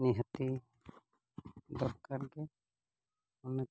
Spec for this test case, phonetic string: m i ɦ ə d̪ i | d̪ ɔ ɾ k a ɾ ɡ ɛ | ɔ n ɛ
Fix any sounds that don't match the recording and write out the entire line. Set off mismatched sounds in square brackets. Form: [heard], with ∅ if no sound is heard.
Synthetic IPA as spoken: [n] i ɦ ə [t̪] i | d̪ ɔ ɾ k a ɾ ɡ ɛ | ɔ n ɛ